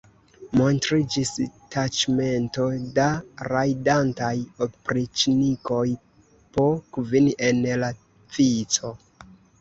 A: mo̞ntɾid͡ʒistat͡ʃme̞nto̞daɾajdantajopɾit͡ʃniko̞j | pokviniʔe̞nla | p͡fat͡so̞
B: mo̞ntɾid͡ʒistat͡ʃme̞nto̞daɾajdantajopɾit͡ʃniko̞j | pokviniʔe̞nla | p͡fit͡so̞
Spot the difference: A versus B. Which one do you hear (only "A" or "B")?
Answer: B